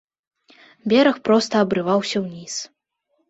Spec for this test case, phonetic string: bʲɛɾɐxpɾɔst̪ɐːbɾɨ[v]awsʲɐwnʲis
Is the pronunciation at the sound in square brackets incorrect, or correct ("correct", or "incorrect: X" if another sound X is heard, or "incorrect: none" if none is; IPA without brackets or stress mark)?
correct